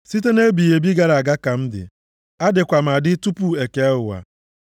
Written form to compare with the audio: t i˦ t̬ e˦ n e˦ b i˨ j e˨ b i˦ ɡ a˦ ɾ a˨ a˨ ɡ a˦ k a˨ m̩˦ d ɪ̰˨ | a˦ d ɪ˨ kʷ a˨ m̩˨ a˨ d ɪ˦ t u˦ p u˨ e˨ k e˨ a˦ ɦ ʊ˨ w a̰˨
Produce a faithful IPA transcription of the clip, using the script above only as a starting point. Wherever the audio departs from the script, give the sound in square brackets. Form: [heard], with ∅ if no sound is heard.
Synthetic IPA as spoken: [s] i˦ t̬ e˦ n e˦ b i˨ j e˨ b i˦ ɡ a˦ ɾ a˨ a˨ ɡ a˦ k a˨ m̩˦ d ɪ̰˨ | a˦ d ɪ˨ kʷ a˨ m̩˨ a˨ d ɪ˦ t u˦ p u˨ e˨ k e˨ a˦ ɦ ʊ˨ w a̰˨

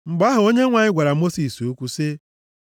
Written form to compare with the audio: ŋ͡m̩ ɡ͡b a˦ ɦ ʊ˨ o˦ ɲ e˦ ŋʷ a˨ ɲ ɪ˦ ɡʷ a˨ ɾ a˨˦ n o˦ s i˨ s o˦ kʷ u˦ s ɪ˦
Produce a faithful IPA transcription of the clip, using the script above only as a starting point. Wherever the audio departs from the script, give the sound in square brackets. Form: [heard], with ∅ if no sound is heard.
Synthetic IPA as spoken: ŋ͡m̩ ɡ͡b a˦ ɦ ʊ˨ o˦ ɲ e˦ ŋʷ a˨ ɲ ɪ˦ ɡʷ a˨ ɾ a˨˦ [m] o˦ s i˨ s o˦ kʷ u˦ s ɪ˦

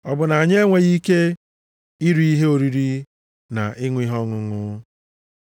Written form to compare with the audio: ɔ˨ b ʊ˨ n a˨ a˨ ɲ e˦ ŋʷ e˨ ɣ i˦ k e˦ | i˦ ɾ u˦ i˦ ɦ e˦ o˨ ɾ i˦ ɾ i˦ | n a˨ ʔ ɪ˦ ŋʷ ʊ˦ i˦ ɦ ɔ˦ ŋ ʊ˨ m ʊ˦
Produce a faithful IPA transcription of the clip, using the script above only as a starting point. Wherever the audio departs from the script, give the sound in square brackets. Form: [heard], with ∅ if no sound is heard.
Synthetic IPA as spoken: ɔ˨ b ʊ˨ n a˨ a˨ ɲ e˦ ŋʷ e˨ ɣ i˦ k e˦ | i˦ ɾ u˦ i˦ ɦ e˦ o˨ ɾ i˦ ɾ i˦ | n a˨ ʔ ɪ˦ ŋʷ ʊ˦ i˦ ɦ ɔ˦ ŋ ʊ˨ [ŋ] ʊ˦

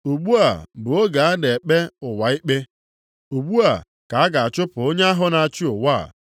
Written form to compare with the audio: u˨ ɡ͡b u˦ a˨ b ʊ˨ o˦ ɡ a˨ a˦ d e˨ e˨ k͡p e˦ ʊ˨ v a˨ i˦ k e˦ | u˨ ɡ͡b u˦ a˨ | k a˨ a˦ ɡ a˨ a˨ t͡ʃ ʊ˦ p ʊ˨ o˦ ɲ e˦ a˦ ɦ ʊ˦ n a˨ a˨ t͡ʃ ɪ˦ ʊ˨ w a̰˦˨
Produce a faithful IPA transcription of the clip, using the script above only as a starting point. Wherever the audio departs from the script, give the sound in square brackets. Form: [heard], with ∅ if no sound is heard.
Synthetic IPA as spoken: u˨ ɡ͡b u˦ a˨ b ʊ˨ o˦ ɡ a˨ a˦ d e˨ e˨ k͡p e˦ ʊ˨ [w] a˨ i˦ [k͡p] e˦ | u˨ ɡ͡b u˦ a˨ | k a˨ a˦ ɡ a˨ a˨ t͡ʃ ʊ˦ p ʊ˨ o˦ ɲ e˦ a˦ ɦ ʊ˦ n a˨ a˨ t͡ʃ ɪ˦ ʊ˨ w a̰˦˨

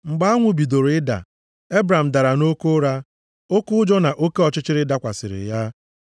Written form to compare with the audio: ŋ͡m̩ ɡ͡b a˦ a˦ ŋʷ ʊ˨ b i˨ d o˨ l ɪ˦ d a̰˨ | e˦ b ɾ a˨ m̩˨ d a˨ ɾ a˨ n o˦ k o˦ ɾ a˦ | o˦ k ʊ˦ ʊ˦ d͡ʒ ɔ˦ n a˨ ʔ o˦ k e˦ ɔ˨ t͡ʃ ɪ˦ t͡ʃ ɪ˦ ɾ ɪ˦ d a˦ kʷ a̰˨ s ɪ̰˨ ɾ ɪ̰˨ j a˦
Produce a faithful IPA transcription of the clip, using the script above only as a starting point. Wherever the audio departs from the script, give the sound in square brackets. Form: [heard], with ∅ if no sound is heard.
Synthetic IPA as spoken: ŋ͡m̩ ɡ͡b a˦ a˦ ŋʷ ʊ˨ b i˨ d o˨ [ɾ] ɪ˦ d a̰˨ | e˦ b ɾ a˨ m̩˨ d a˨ ɾ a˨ n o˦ k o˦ ɾ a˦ | o˦ k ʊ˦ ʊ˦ d͡ʒ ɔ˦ n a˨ ʔ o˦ k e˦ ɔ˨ t͡ʃ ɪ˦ t͡ʃ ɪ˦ ɾ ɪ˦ d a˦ kʷ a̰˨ s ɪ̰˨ ɾ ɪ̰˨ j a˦

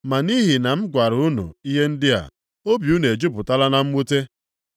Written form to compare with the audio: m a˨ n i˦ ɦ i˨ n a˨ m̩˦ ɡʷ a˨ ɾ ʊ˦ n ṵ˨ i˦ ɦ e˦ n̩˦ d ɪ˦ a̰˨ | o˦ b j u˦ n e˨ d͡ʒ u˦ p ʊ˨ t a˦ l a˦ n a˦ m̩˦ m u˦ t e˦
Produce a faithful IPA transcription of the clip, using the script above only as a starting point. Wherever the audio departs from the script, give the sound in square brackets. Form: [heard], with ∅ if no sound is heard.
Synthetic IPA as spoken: m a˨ n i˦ ɦ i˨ n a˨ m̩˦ ɡʷ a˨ ɾ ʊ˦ n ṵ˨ i˦ ɦ e˦ n̩˦ d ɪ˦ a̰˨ | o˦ b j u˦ n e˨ d͡ʒ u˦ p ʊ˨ t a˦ l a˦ n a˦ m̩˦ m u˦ t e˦

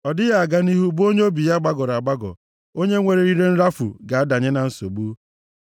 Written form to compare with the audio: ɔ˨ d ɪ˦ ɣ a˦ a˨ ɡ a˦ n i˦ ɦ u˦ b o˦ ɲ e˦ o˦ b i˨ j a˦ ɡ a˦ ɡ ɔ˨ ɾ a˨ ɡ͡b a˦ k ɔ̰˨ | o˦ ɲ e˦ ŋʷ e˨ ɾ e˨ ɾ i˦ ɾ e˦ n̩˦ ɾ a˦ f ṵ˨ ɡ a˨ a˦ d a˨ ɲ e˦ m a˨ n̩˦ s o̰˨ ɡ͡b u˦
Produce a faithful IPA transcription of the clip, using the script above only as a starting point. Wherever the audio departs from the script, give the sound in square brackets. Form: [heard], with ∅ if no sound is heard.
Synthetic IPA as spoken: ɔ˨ d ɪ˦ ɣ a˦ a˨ ɡ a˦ n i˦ ɦ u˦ b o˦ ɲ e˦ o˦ b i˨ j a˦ [ɡ͡b] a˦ ɡ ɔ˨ ɾ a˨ ɡ͡b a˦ [ɡ] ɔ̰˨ | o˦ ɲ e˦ ŋʷ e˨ ɾ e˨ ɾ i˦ ɾ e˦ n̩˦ ɾ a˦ f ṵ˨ ɡ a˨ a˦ d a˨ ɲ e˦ [n] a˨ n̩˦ s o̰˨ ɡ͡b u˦

